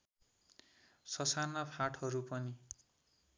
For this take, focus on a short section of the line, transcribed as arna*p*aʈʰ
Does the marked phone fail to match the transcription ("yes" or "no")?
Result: yes